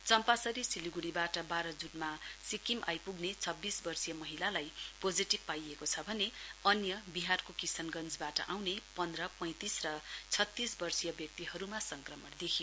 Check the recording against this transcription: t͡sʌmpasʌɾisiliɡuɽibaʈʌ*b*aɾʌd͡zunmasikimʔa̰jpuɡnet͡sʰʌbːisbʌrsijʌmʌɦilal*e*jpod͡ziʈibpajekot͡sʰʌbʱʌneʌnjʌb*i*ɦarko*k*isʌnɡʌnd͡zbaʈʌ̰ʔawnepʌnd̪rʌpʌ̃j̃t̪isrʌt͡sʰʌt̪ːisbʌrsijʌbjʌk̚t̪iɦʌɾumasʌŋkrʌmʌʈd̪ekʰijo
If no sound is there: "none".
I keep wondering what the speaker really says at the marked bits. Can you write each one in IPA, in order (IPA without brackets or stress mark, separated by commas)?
b, a, i, k